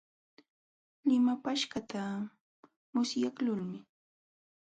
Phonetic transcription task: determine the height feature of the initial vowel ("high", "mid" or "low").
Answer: high